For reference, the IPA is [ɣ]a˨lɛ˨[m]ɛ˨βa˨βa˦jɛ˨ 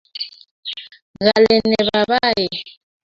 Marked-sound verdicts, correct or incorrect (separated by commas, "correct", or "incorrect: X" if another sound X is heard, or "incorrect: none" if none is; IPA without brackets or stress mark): correct, incorrect: n